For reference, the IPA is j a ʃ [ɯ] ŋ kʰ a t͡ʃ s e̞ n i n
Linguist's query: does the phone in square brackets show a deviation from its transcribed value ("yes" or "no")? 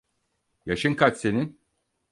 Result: no